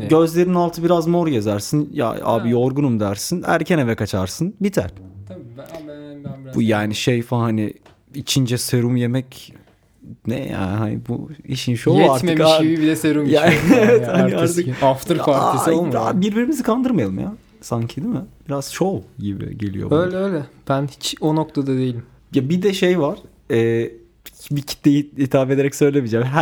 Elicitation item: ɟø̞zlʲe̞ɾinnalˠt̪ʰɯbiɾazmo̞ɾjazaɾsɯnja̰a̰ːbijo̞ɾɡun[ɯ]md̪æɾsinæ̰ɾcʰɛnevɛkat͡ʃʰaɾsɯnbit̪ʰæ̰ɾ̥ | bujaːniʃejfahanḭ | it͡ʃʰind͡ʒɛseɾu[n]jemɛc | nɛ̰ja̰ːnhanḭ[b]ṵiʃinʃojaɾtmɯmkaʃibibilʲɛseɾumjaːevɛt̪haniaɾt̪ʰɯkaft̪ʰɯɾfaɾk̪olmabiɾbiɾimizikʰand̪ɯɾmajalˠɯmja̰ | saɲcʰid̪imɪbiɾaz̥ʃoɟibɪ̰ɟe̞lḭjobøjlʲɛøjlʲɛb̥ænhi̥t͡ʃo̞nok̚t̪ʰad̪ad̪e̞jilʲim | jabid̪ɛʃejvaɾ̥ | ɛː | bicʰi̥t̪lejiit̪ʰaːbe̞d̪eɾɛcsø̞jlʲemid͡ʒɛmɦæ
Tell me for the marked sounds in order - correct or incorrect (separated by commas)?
incorrect, incorrect, correct